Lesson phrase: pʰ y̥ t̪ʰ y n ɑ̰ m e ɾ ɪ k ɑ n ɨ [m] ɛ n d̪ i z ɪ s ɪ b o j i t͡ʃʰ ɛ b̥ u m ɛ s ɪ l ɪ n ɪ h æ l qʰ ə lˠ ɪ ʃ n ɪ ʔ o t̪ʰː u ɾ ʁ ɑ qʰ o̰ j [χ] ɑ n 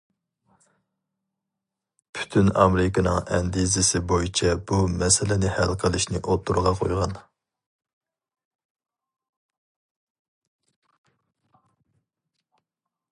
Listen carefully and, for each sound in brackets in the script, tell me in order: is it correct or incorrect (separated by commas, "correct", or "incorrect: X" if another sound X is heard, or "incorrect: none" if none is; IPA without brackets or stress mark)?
incorrect: ŋ, incorrect: ʁ